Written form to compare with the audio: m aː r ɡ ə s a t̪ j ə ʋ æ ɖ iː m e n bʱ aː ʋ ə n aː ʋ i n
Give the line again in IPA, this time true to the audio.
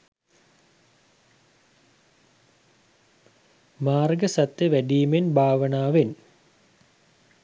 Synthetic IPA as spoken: m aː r ɡ ə s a t̪ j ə ʋ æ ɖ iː m e n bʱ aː ʋ ə n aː ʋ e n